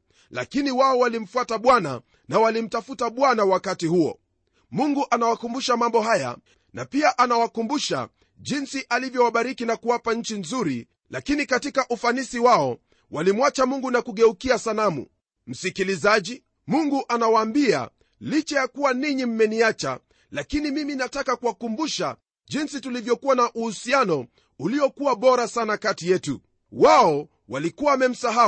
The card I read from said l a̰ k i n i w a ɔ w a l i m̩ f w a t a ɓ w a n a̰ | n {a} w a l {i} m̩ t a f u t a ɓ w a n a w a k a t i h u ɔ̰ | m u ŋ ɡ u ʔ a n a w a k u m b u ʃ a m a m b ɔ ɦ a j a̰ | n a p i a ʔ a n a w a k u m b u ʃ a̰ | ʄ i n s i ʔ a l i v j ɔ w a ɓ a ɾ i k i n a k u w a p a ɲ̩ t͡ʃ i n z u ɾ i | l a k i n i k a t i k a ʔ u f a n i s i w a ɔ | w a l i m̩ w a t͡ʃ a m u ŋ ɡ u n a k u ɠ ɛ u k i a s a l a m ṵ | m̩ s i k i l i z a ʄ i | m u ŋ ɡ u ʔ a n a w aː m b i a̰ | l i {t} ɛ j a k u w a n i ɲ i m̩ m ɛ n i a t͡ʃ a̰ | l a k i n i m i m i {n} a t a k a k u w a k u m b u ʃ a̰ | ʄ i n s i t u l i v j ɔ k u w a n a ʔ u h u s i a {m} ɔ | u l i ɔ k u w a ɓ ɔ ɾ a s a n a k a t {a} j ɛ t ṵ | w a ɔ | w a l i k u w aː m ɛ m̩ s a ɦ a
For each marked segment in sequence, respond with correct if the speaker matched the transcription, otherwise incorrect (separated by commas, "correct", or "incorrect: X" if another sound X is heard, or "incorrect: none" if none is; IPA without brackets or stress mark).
correct, correct, incorrect: t͡ʃ, correct, incorrect: n, incorrect: i